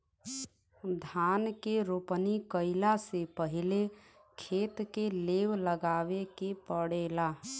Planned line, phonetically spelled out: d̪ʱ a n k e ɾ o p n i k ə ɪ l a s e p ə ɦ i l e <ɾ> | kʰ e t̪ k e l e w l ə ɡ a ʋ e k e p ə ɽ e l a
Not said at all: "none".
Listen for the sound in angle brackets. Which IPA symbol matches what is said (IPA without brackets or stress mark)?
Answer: none